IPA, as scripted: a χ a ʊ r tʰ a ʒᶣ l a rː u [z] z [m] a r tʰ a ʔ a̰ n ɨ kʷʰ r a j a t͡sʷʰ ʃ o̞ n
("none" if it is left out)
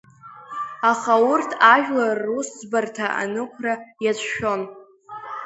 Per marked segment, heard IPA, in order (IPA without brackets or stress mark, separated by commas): s, b